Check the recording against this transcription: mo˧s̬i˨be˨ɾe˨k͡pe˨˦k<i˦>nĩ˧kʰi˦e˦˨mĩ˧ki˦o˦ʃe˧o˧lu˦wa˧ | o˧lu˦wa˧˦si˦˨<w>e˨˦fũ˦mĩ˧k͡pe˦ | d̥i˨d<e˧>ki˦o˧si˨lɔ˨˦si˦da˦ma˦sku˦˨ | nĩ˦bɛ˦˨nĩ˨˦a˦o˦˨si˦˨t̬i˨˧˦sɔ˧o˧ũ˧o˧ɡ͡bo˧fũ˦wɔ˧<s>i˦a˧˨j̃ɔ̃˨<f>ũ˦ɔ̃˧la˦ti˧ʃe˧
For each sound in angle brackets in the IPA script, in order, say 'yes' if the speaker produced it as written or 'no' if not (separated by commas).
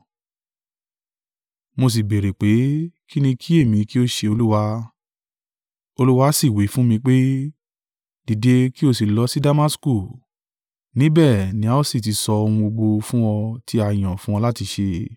yes, yes, yes, no, yes